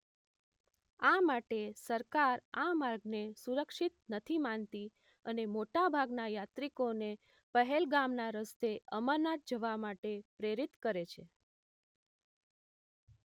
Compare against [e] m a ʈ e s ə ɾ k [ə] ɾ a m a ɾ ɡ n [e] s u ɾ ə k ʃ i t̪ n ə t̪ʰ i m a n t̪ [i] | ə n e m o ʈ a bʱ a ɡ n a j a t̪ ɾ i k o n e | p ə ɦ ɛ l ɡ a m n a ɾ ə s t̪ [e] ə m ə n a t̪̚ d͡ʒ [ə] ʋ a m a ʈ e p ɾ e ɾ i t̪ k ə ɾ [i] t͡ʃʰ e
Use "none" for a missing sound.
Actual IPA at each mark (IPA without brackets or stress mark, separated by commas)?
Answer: a, a, e, i, e, ə, e